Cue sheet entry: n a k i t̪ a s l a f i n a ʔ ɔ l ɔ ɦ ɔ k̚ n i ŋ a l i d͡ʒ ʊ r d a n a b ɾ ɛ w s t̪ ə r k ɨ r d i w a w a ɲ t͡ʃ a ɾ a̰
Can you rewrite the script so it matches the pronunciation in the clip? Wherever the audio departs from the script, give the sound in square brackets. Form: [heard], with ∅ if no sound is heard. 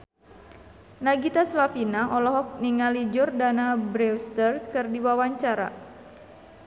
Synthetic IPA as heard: n a [ɡ] i t̪ a s l a f i n a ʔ ɔ l ɔ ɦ ɔ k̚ n i ŋ a l i d͡ʒ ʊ r d a n a b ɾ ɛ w s t̪ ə r k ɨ r d i w a w a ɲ t͡ʃ a ɾ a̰